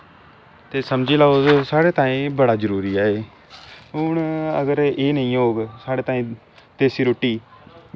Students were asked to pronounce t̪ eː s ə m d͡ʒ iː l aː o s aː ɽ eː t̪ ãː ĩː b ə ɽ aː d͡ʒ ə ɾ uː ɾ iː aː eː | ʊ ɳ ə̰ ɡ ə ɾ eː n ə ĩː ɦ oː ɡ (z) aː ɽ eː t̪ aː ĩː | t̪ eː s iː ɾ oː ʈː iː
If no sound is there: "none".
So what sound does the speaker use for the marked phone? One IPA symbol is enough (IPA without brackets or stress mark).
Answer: s